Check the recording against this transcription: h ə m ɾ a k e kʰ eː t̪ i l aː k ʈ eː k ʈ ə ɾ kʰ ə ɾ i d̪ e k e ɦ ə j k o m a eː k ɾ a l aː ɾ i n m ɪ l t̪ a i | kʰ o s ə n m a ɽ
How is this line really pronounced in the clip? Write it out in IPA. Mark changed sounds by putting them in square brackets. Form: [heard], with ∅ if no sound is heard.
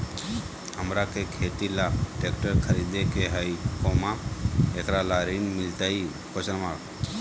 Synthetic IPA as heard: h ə m ɾ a k e kʰ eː t̪ i l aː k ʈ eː k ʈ ə ɾ kʰ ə ɾ i d̪ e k e ɦ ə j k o m a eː k ɾ a l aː ɾ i n m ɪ l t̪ a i | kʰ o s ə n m a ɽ